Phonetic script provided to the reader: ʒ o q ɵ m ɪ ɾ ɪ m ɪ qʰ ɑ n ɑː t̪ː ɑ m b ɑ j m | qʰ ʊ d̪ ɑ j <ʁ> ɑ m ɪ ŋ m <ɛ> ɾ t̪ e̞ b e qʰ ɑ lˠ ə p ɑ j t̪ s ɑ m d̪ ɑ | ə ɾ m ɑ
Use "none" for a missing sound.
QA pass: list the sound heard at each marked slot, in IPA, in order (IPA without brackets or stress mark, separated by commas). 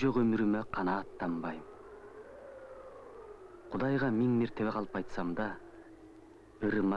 ʁ, e